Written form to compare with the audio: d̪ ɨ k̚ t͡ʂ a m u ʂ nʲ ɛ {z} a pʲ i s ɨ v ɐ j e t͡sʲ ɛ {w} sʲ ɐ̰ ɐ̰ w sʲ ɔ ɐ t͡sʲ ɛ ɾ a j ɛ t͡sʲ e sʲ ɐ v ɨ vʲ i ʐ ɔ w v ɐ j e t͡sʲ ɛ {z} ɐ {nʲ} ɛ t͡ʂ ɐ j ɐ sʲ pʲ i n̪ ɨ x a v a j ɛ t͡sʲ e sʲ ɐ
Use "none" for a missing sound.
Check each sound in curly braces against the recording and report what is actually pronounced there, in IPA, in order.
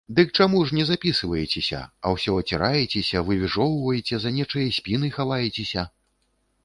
z, none, z, nʲ

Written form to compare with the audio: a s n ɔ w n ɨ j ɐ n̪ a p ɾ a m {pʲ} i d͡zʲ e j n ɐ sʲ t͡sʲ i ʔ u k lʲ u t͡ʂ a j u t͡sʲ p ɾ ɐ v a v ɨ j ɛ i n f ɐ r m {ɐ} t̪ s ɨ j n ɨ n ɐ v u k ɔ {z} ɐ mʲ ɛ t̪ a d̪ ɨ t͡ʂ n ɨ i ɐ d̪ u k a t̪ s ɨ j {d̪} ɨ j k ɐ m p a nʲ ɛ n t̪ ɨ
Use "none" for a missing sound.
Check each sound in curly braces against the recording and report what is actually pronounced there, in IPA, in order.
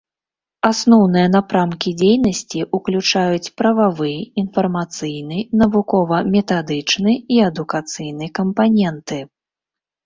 kʲ, a, v, n̪

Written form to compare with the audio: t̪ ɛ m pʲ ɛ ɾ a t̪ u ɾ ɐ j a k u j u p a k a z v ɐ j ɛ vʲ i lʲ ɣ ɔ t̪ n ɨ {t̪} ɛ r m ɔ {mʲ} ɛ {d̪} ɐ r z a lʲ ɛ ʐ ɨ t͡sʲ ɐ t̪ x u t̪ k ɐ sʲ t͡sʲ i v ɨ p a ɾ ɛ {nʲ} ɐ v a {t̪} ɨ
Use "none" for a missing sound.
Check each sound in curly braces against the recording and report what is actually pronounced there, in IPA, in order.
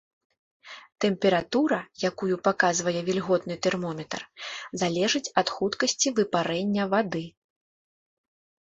t̪, mʲ, t̪, nʲː, d̪

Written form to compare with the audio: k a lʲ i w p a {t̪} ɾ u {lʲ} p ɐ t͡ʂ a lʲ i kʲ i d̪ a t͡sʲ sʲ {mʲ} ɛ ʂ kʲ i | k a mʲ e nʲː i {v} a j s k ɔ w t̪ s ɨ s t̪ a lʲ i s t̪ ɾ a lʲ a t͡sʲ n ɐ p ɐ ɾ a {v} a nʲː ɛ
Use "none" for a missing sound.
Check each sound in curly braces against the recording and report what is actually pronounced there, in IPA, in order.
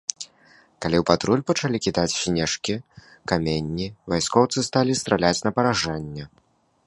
t̪, lʲ, nʲ, v, ʐ

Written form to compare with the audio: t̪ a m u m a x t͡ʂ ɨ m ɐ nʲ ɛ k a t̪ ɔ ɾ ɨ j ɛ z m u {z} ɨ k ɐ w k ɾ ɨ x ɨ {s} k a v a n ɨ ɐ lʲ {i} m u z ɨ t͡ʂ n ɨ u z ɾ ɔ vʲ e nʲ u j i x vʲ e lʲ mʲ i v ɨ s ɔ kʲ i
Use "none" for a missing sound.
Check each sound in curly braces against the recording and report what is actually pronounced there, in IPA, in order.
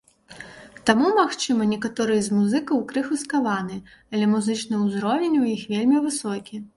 z, s, ɛ

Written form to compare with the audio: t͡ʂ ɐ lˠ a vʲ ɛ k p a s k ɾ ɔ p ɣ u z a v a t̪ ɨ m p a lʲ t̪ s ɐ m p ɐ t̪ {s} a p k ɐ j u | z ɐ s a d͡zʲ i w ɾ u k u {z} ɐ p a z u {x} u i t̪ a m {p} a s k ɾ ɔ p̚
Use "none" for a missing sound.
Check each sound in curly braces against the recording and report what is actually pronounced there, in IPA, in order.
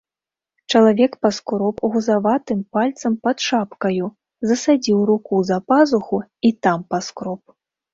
ʂ, z, x, p

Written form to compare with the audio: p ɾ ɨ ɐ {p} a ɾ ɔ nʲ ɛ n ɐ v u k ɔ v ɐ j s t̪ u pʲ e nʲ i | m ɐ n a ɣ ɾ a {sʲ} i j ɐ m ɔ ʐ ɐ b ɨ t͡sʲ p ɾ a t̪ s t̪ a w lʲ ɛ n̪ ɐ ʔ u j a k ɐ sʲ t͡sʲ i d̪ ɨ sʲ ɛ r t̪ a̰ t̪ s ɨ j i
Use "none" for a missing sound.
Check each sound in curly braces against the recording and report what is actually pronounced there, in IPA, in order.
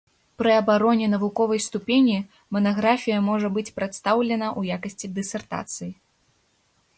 b, fʲ

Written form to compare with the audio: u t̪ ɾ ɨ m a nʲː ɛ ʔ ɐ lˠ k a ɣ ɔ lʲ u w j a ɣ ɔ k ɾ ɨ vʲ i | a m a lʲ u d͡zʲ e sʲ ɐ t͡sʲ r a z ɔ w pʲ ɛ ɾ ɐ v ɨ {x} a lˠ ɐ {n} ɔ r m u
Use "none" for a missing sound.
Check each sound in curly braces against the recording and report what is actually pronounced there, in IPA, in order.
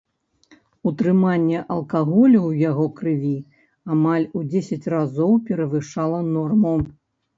ʂ, n

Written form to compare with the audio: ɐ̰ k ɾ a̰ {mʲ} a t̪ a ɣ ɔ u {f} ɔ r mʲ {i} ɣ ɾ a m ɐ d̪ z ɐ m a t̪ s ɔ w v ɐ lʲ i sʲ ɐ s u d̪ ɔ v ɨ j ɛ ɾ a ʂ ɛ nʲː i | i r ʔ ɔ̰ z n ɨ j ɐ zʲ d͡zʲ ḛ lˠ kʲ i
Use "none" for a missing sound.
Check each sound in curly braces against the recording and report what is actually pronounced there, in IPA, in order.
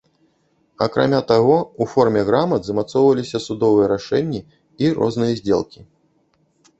mʲ, f, ɛ

